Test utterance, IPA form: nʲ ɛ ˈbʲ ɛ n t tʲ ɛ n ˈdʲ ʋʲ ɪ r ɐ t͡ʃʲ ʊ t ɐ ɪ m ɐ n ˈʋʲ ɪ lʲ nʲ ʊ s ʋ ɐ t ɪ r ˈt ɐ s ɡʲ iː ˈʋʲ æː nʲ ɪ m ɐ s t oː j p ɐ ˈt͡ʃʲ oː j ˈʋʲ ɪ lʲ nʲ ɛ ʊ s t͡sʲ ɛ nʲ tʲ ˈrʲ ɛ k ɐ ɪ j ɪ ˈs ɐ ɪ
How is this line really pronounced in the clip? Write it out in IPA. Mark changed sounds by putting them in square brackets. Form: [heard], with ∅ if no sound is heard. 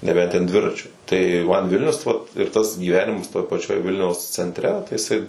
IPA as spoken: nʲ ɛ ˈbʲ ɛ n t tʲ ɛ n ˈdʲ ʋʲ ɪ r ɐ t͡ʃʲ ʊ t ɐ ɪ m ɐ n ˈʋʲ ɪ lʲ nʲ ʊ s ʋ ɐ t ɪ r ˈt ɐ s ɡʲ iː ˈʋʲ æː nʲ ɪ m ɐ s t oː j p ɐ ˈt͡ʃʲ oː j ˈʋʲ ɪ lʲ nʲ ɛ ʊ s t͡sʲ ɛ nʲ tʲ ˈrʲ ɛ [t] ɐ ɪ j ɪ ˈs ɐ ɪ